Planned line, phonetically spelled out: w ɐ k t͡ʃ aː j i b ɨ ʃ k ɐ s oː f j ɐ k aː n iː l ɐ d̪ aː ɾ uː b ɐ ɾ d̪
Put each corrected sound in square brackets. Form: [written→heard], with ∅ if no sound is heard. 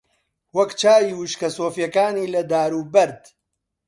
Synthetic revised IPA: w ɐ k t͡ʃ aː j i [b→w] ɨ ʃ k ɐ s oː f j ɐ k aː n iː l ɐ d̪ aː ɾ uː b ɐ ɾ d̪